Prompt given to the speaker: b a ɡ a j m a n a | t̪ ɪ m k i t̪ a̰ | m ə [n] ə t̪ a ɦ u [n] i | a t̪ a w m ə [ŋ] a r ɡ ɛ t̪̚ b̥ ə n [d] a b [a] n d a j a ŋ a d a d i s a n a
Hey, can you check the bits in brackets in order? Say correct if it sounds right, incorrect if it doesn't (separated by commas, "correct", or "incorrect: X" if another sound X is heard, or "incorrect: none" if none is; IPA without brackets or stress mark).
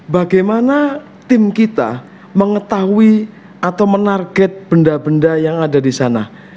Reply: incorrect: ŋ, incorrect: none, incorrect: n, correct, incorrect: ə